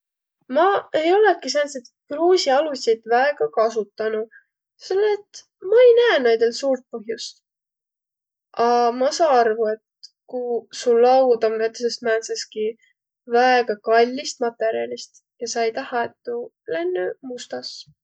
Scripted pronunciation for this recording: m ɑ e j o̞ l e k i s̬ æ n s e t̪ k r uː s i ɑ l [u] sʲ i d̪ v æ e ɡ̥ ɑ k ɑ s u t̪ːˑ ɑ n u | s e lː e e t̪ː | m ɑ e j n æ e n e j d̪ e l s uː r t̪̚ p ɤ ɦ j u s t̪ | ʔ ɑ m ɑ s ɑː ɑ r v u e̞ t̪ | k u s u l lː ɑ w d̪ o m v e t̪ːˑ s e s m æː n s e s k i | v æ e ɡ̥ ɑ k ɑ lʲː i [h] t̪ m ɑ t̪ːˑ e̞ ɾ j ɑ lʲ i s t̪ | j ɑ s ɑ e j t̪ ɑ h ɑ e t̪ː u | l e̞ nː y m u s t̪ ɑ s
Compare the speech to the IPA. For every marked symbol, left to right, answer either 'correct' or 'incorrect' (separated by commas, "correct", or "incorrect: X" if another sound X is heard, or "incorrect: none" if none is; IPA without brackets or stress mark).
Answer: correct, incorrect: s